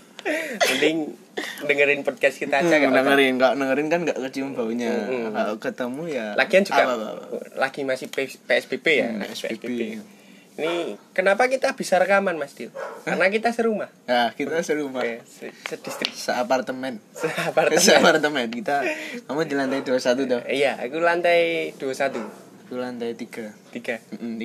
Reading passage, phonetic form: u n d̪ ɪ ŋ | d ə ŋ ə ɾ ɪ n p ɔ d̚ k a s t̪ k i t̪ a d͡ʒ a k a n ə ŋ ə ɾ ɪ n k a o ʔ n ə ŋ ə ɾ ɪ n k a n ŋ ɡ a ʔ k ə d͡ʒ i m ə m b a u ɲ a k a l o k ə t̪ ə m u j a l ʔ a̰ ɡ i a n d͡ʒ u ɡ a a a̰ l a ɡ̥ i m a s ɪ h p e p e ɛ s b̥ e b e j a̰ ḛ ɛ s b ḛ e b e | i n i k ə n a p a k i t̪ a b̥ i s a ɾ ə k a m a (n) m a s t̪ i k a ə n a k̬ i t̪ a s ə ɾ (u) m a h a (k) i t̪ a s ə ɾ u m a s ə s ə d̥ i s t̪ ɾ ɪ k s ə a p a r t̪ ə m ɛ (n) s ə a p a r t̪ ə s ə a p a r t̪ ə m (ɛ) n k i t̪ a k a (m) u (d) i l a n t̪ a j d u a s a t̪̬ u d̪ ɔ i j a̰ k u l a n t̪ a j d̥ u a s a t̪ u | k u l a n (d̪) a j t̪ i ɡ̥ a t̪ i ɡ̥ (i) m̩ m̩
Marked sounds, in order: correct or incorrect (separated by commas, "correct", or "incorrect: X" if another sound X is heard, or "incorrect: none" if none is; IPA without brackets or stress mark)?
correct, correct, correct, correct, correct, correct, correct, incorrect: t̪, incorrect: a